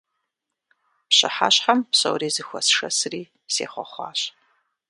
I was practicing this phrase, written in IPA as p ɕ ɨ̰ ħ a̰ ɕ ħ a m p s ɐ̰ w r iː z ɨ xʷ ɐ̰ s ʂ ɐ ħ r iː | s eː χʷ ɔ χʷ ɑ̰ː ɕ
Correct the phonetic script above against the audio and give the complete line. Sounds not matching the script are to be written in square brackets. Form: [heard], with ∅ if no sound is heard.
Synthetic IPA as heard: p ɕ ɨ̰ ħ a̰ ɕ ħ a m p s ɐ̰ w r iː z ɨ xʷ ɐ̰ s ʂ ɐ [s] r iː | s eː χʷ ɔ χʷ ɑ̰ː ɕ